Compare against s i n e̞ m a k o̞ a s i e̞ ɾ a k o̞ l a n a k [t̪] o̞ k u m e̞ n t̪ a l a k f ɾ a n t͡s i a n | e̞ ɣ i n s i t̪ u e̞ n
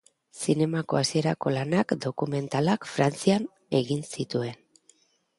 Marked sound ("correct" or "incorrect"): incorrect